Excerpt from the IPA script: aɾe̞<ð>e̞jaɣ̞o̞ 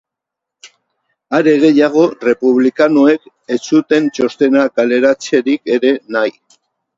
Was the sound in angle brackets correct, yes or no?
no